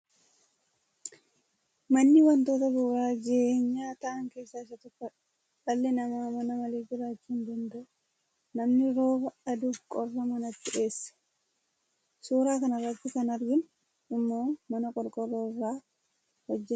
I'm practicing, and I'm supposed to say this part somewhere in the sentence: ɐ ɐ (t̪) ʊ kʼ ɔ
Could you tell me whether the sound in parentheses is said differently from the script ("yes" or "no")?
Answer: yes